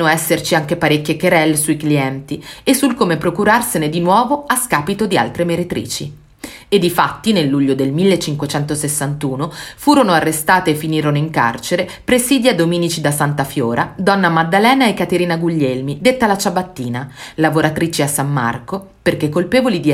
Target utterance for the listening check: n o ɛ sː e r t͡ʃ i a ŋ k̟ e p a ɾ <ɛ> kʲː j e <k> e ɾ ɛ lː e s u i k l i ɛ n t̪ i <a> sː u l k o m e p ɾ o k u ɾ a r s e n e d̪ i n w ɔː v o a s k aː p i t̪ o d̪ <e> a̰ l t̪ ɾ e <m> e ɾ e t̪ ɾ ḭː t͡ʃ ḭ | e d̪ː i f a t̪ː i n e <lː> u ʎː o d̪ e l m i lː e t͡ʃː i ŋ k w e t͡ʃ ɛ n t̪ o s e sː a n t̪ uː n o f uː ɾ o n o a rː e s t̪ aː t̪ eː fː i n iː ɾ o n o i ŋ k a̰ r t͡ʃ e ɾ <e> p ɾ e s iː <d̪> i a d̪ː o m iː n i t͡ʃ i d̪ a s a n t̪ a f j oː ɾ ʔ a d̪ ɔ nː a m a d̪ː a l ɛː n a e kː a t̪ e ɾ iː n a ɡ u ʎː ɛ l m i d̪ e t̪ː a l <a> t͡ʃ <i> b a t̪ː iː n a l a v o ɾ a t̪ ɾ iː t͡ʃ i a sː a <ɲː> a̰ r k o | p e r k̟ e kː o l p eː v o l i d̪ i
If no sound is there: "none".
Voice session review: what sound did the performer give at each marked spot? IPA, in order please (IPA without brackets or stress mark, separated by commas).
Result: e, k, e, i, m, lː, e, d̪, a, a, mː